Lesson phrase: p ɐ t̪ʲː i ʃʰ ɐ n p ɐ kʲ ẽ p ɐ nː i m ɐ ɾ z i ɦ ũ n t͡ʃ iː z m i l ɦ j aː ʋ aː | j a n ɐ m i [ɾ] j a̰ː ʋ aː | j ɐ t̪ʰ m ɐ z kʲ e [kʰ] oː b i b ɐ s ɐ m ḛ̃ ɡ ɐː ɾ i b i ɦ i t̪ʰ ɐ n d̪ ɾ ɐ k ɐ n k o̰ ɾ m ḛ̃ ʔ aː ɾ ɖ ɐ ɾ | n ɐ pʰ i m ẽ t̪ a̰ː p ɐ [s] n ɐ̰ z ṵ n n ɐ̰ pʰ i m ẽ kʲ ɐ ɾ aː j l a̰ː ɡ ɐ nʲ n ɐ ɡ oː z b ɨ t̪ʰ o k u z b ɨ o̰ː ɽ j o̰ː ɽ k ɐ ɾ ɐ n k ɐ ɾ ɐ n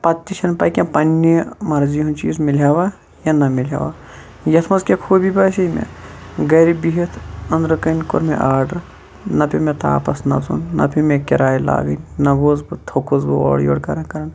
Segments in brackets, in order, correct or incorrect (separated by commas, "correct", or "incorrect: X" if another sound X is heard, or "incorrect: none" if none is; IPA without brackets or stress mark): incorrect: l, correct, correct